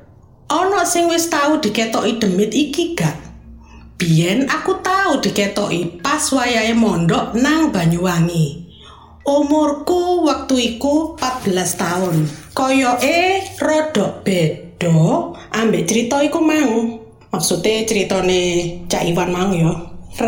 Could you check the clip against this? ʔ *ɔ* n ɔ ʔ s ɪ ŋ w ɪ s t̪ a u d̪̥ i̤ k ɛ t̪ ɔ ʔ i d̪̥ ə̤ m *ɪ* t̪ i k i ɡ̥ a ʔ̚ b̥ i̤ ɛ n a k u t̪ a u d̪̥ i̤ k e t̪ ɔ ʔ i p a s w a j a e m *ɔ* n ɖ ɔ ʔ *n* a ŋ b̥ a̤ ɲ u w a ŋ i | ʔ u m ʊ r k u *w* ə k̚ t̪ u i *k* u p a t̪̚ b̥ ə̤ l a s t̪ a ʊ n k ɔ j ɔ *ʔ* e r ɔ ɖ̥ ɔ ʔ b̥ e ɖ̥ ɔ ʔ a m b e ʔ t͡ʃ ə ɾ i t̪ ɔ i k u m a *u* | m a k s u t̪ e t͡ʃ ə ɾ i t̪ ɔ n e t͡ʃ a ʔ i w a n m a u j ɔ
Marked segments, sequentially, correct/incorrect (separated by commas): correct, correct, correct, correct, correct, correct, correct, correct